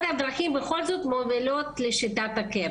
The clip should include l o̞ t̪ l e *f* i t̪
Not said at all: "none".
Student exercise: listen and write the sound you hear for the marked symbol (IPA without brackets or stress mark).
ʃ